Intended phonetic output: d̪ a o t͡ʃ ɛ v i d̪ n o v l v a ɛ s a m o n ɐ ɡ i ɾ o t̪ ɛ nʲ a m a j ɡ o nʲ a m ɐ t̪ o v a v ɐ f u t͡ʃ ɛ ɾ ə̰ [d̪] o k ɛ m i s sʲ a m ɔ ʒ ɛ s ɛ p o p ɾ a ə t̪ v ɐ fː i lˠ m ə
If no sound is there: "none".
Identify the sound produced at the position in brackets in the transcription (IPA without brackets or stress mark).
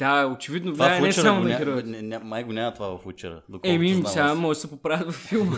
d̪